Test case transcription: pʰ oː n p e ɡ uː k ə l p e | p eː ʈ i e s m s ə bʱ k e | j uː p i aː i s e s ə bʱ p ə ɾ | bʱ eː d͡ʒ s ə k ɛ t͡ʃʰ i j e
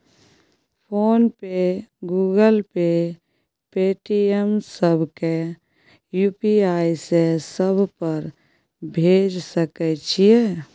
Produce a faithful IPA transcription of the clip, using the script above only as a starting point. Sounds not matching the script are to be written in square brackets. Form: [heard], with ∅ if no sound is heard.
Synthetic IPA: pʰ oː n p e ɡ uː [ɡ] ə l p e | p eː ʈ i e [∅] m s ə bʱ k e | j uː p i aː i s e s ə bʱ p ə ɾ | bʱ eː d͡ʒ s ə k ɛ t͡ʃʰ i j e